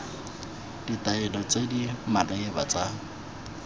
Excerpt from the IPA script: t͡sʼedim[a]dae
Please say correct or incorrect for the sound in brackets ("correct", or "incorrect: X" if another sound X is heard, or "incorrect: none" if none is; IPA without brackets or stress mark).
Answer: correct